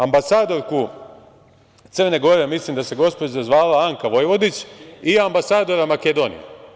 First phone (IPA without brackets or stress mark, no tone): a